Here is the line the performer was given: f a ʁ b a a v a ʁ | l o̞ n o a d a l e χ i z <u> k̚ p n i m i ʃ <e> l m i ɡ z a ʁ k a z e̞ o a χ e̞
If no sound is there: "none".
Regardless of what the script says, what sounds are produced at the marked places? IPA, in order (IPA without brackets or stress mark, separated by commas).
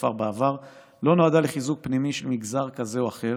u, e